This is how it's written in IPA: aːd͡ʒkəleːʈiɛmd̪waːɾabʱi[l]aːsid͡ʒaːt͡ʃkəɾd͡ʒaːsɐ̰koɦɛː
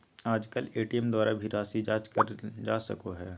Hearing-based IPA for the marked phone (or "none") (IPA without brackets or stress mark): ɾ